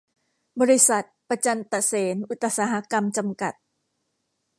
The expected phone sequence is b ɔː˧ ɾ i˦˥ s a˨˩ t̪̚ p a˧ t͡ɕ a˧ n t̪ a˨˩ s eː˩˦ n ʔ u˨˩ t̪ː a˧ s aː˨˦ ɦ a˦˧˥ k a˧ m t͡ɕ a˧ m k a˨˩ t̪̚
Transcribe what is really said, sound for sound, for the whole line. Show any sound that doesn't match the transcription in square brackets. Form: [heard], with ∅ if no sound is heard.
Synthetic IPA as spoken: b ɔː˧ ɾ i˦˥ s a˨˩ t̪̚ p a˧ t͡ɕ a˧ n t̪ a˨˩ s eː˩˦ n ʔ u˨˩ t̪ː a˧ s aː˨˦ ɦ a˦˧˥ k a˧ m t͡ɕ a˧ m k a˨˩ t̪̚